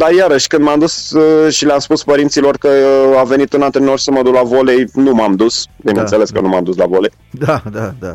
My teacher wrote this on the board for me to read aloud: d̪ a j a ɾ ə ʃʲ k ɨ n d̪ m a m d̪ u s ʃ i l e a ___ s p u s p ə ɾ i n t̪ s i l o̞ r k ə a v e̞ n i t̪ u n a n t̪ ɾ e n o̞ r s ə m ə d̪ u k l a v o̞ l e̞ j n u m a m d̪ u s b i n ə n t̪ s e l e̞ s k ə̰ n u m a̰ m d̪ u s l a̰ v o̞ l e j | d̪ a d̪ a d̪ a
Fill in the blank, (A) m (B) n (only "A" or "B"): A